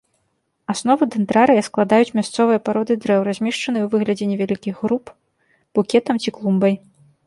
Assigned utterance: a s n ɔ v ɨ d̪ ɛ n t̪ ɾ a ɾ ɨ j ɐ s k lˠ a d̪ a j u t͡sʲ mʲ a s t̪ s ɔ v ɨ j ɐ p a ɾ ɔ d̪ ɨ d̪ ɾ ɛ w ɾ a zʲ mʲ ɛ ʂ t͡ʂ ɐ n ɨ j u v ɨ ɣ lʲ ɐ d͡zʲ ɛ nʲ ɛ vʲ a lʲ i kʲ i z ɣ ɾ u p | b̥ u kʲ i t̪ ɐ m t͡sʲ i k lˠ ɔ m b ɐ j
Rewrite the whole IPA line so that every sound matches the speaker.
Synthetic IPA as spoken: a s n ɔ v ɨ d̪ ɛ n t̪ ɾ a ɾ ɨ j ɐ s k lˠ a d̪ a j u t͡sʲ mʲ a s t̪ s ɔ v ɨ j ɐ p a ɾ ɔ d̪ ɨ d̪ ɾ ɛ w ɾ a zʲ mʲ ɛ ʂ t͡ʂ ɐ n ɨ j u v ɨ ɣ lʲ ɐ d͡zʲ ɛ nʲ ɛ vʲ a lʲ i kʲ i ɣ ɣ ɾ u p | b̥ u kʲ ɛ t̪ ɐ m t͡sʲ i k lˠ u m b ɐ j